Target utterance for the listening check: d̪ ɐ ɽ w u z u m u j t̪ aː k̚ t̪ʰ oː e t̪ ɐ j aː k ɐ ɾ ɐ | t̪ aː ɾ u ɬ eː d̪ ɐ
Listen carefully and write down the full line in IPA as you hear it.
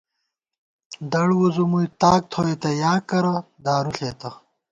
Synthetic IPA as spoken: d̪ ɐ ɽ w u z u m u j t̪ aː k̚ t̪ʰ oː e t̪ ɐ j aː k ɐ ɾ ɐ | d̪ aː ɾ u ɬ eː t̪ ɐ